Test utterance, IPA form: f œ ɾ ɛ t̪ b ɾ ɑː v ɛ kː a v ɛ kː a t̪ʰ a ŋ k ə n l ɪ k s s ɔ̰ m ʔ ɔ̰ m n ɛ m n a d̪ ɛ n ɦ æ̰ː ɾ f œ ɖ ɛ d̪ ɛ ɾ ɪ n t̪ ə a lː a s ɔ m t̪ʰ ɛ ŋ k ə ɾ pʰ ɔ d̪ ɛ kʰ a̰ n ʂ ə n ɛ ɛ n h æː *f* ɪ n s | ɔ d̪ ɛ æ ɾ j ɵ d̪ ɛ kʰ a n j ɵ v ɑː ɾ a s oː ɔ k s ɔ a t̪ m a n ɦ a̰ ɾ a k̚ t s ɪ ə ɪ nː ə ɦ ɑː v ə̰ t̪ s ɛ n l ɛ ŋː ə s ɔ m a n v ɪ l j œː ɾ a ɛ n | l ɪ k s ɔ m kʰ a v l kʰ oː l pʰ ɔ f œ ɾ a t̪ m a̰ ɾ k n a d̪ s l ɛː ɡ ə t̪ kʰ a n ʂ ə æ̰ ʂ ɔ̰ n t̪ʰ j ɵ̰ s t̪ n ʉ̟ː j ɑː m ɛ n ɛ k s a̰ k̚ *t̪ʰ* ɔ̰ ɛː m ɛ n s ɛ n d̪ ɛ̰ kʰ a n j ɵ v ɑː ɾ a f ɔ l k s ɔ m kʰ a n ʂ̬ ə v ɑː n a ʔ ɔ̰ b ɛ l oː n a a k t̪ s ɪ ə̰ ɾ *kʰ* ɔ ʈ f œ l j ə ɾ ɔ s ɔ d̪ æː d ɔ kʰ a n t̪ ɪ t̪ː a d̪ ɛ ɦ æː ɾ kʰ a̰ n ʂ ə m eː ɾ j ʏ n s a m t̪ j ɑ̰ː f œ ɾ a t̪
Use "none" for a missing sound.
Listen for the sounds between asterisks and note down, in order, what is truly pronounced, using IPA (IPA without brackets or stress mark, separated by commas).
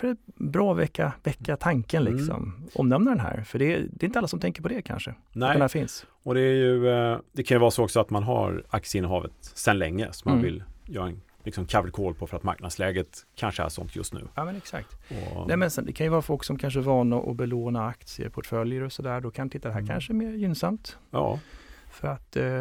f, t̪, pʰ